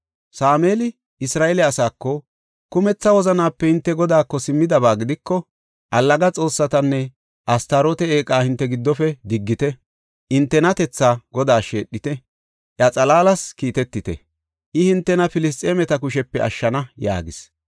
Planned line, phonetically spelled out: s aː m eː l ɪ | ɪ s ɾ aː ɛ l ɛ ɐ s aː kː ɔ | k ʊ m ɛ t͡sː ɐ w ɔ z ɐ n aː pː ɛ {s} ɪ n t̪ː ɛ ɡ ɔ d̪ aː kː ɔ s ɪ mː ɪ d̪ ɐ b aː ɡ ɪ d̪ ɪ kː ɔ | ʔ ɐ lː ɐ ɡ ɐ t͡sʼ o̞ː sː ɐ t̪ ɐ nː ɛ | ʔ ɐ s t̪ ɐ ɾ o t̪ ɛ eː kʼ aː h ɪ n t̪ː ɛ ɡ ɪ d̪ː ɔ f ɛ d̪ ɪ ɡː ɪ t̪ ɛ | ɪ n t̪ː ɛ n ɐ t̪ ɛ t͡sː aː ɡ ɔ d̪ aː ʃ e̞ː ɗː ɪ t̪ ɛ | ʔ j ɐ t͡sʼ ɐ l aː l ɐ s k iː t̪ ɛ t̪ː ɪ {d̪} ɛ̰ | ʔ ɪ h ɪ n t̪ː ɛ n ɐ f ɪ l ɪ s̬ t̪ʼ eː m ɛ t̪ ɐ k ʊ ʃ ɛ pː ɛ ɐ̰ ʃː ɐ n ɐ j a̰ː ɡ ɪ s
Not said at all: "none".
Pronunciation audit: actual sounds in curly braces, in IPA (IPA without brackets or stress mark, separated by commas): h, t̪